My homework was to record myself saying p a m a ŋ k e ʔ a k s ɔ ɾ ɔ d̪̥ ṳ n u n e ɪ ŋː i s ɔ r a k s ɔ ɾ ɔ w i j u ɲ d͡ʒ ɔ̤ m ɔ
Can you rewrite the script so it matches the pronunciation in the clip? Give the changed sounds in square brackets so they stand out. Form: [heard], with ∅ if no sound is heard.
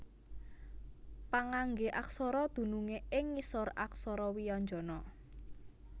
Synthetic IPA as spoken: p a [ŋ] a ŋ [ɡ] e ʔ a k s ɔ ɾ ɔ d̪̥ ṳ n u [ŋ] e ɪ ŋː i s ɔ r a k s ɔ ɾ ɔ w i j [ɔ] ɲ d͡ʒ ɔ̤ [n] ɔ